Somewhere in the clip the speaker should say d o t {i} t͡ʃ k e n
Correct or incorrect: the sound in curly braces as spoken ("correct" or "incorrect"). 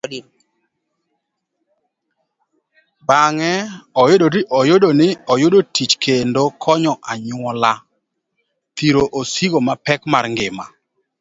correct